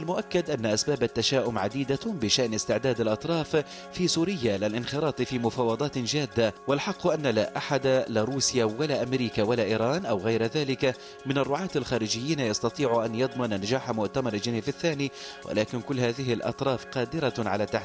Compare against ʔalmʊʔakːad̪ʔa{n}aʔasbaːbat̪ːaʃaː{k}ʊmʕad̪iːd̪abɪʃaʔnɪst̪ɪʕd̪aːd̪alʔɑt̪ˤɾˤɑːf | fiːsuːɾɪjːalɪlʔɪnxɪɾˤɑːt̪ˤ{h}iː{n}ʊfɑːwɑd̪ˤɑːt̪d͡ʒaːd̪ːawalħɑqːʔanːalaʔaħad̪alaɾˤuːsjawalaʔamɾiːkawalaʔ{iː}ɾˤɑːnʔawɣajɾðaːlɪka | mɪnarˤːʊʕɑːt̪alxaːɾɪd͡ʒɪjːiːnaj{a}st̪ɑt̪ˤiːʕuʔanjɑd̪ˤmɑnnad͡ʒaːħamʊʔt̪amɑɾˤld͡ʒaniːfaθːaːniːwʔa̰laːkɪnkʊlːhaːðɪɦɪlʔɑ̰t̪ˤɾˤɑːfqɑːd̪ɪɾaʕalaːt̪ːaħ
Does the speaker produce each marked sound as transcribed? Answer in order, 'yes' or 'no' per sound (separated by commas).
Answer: no, no, no, no, yes, no